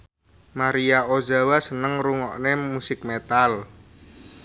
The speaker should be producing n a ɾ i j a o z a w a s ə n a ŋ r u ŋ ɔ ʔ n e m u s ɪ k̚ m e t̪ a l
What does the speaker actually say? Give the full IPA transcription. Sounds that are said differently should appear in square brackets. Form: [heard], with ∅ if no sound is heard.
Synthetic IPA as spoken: [m] a ɾ i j a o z a w a s ə n [ə] ŋ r u ŋ ɔ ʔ n e m u s ɪ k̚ m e t̪ a l